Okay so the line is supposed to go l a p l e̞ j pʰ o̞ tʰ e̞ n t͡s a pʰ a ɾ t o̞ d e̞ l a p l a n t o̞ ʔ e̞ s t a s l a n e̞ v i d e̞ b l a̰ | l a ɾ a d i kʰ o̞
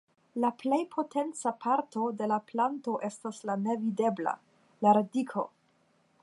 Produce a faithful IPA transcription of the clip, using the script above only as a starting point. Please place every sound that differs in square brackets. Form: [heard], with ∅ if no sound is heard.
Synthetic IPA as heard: l a p l e̞ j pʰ o̞ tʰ e̞ n t͡s a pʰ a ɾ t o̞ d e̞ l a p l a n t o̞ ʔ e̞ s t a s l a n e̞ v i d e̞ b l a̰ | l a ɾ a d i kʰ o̞